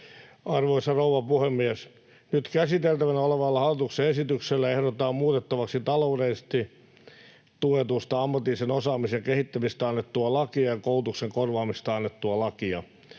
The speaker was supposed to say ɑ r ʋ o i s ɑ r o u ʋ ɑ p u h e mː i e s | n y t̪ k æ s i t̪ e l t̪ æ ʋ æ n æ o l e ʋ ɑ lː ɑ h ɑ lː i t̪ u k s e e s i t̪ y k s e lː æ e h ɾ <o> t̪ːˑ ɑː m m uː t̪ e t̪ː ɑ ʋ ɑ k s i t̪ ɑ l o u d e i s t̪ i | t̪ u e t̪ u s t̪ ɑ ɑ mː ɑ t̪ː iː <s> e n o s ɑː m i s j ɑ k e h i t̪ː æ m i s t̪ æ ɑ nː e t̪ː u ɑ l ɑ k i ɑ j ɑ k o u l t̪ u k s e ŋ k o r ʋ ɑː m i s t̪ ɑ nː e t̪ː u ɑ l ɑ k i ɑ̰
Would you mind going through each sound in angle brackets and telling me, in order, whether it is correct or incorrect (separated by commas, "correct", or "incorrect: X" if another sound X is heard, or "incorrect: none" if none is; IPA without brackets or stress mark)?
correct, correct